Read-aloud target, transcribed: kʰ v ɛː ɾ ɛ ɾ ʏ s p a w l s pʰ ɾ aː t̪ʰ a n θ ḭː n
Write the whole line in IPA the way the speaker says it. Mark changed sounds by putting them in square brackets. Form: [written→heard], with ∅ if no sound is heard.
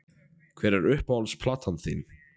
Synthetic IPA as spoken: kʰ v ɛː ɾ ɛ ɾ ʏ [s→h] p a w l s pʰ [ɾ→l] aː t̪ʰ a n θ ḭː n